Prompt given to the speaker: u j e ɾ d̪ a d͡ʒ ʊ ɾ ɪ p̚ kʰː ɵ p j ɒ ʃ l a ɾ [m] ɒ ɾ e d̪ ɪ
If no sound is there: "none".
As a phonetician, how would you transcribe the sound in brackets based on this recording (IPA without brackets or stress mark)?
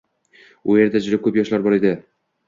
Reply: b